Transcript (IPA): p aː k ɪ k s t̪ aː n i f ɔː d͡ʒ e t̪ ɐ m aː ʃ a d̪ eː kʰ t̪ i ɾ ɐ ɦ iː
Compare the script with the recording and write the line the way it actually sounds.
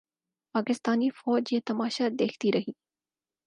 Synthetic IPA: p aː k ɪ s t̪ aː n i f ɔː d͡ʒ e t̪ ɐ m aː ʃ a d̪ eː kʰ t̪ i ɾ ɐ ɦ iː